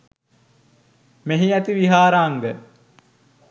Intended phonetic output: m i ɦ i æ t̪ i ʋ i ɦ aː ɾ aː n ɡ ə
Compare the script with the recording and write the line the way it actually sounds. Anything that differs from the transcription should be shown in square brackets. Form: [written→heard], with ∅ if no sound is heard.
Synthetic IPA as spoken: m [i→e] ɦ i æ t̪ i ʋ i ɦ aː ɾ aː [n→ŋ] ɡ ə